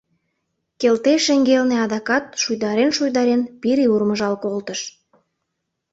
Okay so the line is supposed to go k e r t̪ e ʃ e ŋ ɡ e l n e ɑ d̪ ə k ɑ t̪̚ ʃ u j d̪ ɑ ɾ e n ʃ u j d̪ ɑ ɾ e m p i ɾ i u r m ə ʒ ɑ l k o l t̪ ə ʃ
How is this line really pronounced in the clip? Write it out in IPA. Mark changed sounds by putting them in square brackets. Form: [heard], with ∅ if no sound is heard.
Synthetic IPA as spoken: k e [l] t̪ e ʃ e ŋ ɡ e l n e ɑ d̪ [ɑ] k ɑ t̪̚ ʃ u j d̪ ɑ ɾ e n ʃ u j d̪ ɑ ɾ e [n] p i ɾ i u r m ə ʒ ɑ l k o l t̪ ə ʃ